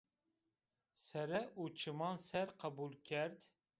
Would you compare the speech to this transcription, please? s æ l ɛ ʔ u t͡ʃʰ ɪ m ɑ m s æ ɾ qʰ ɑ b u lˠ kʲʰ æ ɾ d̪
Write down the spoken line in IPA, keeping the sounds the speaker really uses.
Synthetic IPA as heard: s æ ɾ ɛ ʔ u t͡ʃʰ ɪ m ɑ n s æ ɾ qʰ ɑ b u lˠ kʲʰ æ ɾ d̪